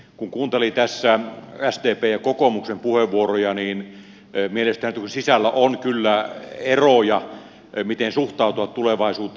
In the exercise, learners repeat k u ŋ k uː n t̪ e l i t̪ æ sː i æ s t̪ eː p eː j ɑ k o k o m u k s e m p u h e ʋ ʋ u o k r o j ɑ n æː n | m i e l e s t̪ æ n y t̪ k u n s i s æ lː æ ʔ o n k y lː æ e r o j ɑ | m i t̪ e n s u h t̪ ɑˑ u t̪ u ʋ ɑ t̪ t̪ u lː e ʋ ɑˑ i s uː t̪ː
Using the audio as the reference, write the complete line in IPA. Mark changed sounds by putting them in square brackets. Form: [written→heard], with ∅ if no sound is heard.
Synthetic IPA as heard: k u ŋ k uː n t̪ e l i t̪ æ sː [i→æ] æ s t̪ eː p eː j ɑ k o k o m u k s e m p u h e ʋ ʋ u o [k→∅] r o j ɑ n [æː→iː] n | m i e l e s t̪ æ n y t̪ k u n s i s æ lː æ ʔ o n k y lː æ e r o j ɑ | m i t̪ e n s u h t̪ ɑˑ u t̪ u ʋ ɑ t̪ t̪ u [lː→l] e ʋ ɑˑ i s uː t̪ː